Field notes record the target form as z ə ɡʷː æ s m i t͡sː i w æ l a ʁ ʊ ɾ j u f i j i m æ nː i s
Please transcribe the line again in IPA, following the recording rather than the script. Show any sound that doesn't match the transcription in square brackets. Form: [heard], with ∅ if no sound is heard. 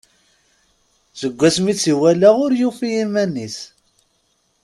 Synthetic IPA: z ə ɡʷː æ s m i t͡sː i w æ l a ʁ ʊ ɾ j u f i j i m æ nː i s